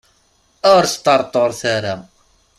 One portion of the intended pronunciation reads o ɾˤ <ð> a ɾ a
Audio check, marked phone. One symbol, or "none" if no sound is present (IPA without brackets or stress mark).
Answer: θ